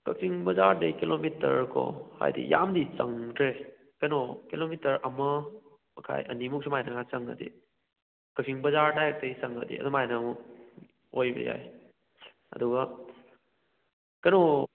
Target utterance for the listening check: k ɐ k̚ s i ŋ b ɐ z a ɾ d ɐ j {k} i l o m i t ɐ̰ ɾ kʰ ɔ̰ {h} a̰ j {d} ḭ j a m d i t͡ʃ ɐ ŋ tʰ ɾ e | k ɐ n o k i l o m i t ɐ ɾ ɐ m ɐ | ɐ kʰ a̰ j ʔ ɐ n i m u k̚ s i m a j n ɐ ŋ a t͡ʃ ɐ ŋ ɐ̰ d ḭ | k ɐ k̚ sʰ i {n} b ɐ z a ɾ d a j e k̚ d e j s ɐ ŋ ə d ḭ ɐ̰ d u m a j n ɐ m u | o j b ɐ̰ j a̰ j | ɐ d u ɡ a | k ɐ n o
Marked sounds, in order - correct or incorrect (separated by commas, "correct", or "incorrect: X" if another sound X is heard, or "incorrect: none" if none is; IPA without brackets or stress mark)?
correct, correct, correct, incorrect: ŋ